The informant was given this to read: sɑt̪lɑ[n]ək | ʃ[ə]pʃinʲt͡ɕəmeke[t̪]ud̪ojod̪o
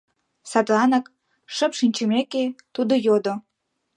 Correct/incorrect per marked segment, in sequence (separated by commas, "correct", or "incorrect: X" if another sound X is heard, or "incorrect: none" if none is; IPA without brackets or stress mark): correct, correct, correct